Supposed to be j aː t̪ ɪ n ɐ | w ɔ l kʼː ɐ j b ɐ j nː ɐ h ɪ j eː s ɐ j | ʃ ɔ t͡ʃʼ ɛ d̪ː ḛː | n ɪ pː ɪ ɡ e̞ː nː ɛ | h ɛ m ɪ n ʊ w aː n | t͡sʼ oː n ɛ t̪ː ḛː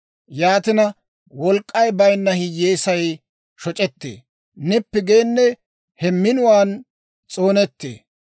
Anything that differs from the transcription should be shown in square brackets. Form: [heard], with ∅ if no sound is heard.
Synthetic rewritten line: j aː t̪ ɪ n ɐ | w ɔ l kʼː ɐ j b ɐ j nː ɐ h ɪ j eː s ɐ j | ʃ ɔ t͡ʃʼ ɛ [t̪ː] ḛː | n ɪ pː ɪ ɡ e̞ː nː ɛ | h ɛ m ɪ n ʊ w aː n | t͡sʼ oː n ɛ t̪ː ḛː

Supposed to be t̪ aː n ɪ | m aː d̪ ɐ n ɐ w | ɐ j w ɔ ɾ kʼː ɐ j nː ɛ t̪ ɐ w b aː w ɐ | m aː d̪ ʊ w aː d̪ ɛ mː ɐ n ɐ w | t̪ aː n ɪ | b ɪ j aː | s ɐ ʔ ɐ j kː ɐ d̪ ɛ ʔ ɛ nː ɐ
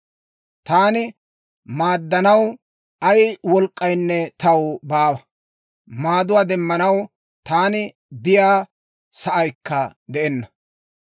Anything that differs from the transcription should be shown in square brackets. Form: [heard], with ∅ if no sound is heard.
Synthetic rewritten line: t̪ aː n ɪ | m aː [d̪ː] ɐ n ɐ w | ɐ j w ɔ [l] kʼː ɐ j nː ɛ t̪ ɐ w b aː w ɐ | m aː d̪ ʊ w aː d̪ ɛ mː ɐ n ɐ w | t̪ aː n ɪ | b ɪ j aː | s ɐ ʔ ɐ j kː ɐ d̪ ɛ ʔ ɛ nː ɐ

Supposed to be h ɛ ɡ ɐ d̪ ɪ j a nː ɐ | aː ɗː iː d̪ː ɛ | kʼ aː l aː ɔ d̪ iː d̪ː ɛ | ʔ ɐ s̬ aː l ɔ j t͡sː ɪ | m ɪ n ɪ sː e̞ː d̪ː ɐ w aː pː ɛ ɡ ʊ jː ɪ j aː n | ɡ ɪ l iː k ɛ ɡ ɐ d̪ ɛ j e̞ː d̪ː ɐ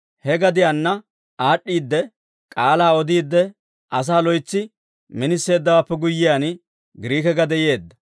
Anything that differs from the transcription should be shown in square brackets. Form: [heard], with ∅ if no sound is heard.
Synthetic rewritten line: h ɛ ɡ ɐ d̪ ɪ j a nː ɐ | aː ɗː iː d̪ː ɛ | kʼ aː l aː ɔ d̪ iː d̪ː ɛ | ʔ ɐ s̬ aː l ɔ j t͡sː ɪ | m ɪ n ɪ sː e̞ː d̪ː ɐ w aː pː ɛ ɡ ʊ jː ɪ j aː n | ɡ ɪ [ɾ] iː k ɛ ɡ ɐ d̪ ɛ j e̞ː d̪ː ɐ

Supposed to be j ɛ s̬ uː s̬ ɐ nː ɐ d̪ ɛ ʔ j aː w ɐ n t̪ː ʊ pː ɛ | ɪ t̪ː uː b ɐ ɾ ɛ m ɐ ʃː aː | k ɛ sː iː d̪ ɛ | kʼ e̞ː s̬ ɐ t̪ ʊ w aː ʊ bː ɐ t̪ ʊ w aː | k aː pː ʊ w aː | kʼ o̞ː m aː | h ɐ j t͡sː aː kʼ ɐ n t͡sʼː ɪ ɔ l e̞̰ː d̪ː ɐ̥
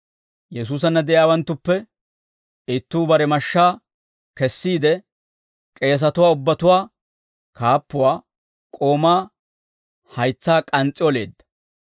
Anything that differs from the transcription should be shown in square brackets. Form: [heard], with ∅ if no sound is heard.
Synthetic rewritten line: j ɛ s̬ uː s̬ ɐ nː ɐ d̪ ɛ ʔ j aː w ɐ n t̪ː ʊ pː ɛ | ɪ t̪ː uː b ɐ ɾ ɛ m ɐ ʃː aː | k ɛ sː iː d̪ ɛ | kʼ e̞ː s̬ ɐ t̪ ʊ w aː ʊ bː ɐ t̪ ʊ w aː | k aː pː ʊ w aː | kʼ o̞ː m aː | h ɐ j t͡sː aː kʼ ɐ n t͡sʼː ɪ ɔ l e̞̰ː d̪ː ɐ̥

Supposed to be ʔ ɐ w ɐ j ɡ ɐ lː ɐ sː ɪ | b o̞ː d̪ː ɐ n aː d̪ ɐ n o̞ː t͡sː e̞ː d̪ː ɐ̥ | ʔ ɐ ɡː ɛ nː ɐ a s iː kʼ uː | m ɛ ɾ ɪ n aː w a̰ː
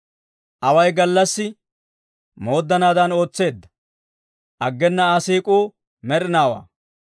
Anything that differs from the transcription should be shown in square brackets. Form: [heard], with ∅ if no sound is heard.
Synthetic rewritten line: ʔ ɐ w ɐ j ɡ ɐ lː ɐ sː ɪ | [m] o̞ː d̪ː ɐ n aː d̪ ɐ n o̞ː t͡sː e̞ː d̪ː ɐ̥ | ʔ ɐ ɡː ɛ nː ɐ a s iː kʼ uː | m ɛ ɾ ɪ n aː w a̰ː

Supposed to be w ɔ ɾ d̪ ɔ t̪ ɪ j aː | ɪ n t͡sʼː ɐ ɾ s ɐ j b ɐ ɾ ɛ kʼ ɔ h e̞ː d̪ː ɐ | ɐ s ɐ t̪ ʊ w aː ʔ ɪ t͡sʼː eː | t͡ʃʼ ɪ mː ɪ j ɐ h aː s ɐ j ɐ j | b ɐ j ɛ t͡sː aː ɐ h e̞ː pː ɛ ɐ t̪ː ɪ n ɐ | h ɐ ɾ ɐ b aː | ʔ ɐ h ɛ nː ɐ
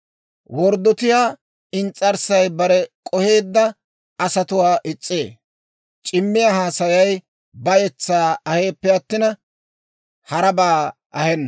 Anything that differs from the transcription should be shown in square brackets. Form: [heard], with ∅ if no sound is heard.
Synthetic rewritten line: w ɔ ɾ d̪ ɔ t̪ ɪ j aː | ɪ n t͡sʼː ɐ ɾ s ɐ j b ɐ ɾ ɛ kʼ ɔ h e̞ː d̪ː ɐ | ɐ s ɐ t̪ ʊ w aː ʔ ɪ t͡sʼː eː | t͡ʃʼ ɪ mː ɪ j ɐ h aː s ɐ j ɐ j | b ɐ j ɛ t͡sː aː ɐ h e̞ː pː ɛ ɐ t̪ː ɪ n ɐ | h ɐ ɾ ɐ b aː | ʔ ɐ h ɛ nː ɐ

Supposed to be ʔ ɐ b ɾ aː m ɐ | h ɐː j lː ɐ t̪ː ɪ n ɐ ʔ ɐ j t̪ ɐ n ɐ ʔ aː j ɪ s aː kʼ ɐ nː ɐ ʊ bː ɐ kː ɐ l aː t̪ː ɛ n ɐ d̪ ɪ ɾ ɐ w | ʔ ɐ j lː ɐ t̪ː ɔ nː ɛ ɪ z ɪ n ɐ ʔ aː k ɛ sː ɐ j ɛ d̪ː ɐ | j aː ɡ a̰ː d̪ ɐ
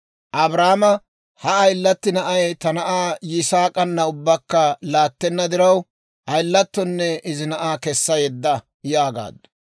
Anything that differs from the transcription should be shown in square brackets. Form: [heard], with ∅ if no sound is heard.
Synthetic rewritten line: ʔ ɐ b ɾ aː m ɐ | h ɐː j lː ɐ t̪ː ɪ n ɐ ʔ ɐ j t̪ ɐ n ɐ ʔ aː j ɪ s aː kʼ ɐ nː ɐ ʊ bː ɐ kː ɐ l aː t̪ː ɛ [nː] ɐ d̪ ɪ ɾ ɐ w | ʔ ɐ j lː ɐ t̪ː ɔ nː ɛ ɪ z ɪ n ɐ ʔ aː k ɛ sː ɐ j ɛ d̪ː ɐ | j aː ɡ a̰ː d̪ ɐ

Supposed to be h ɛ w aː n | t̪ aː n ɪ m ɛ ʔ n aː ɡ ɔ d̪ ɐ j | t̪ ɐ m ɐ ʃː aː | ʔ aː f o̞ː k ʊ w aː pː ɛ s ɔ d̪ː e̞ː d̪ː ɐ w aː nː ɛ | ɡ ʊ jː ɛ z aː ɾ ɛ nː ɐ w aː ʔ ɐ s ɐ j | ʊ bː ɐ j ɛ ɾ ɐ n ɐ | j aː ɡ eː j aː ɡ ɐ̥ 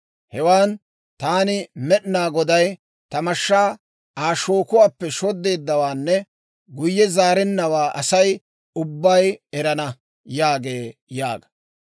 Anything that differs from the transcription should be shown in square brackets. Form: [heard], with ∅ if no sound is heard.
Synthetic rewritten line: h ɛ w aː n | t̪ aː n ɪ m ɛ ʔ n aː ɡ ɔ d̪ ɐ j | t̪ ɐ m ɐ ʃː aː | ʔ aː [ʃ] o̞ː k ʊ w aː pː ɛ [ʃ] ɔ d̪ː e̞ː d̪ː ɐ w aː nː ɛ | ɡ ʊ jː ɛ z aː ɾ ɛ nː ɐ w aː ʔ ɐ s ɐ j | ʊ bː ɐ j ɛ ɾ ɐ n ɐ | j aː ɡ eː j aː ɡ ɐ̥

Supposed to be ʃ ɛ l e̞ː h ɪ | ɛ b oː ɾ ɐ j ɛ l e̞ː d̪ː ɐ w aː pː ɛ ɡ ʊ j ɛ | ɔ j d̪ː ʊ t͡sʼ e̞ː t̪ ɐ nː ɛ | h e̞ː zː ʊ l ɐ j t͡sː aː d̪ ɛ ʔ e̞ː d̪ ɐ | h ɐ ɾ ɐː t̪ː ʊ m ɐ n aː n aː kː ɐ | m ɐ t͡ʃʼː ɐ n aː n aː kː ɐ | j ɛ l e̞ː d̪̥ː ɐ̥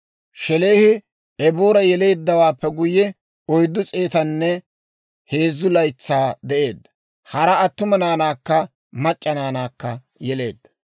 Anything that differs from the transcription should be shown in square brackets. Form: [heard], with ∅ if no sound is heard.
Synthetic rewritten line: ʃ ɛ l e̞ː h ɪ | ɛ b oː ɾ ɐ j ɛ l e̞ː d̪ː ɐ w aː pː ɛ ɡ ʊ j ɛ | ɔ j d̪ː ʊ t͡sʼ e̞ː t̪ ɐ nː ɛ | h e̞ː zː ʊ l ɐ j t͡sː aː d̪ ɛ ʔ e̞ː d̪ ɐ | h ɐ ɾ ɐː t̪ː ʊ m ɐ n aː n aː kː ɐ | m ɐ t͡ʃʼː ɐ n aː n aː kː ɐ | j ɛ l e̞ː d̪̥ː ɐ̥

